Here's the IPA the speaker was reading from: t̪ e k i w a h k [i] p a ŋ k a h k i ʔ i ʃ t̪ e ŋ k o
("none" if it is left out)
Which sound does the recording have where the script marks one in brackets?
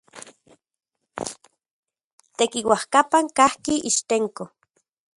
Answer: a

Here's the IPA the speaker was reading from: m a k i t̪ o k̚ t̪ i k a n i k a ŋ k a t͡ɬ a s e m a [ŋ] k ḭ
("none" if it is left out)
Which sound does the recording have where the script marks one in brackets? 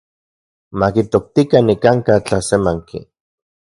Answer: ŋ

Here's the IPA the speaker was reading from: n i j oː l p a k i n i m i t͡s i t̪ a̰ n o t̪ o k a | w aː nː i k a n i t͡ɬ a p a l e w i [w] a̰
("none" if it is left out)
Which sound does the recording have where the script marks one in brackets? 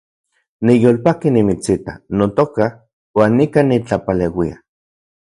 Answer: none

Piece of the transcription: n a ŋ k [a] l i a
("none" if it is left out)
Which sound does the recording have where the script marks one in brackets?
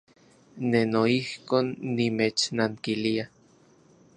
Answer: i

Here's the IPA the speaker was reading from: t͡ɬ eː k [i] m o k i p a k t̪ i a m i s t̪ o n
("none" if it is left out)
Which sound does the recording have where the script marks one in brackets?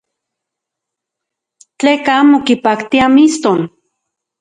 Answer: a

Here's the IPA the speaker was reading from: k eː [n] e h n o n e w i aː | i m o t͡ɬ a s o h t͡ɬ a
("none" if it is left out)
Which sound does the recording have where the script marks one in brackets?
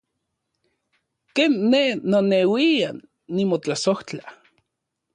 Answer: nː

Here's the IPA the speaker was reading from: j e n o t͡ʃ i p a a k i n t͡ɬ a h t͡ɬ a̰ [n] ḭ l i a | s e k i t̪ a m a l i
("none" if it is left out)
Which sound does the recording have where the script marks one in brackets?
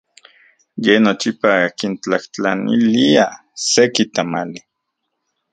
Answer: n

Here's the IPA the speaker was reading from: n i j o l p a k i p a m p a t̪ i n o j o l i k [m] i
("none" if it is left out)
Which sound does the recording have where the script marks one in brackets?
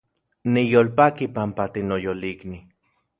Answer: n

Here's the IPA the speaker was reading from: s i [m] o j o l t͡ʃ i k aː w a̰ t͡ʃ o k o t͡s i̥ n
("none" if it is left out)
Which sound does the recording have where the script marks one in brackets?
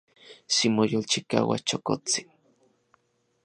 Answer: m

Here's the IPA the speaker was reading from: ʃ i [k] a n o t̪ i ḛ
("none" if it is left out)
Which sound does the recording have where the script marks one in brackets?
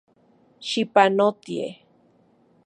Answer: p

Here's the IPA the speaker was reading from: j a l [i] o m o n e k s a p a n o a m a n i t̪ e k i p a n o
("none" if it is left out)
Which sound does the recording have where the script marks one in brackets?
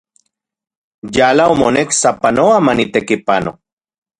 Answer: a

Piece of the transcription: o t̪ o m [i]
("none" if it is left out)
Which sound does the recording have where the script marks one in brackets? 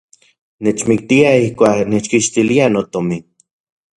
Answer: i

